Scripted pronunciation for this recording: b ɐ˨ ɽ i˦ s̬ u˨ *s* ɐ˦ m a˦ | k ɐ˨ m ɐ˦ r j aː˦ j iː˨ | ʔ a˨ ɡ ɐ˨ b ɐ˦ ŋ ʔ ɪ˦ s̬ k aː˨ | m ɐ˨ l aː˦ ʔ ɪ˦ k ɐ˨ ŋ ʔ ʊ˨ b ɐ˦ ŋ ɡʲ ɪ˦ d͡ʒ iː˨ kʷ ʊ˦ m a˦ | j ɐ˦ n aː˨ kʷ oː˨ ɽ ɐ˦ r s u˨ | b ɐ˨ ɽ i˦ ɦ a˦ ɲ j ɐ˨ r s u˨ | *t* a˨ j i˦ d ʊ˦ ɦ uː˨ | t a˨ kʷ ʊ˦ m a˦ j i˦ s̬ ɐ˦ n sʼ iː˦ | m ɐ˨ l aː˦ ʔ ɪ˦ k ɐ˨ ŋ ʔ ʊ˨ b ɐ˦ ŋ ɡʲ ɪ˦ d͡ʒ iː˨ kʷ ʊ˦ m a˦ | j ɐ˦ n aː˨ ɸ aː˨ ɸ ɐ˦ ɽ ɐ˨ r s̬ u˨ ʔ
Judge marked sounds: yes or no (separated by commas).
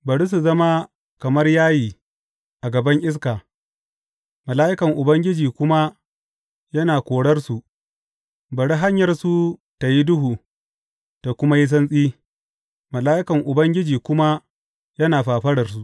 no, yes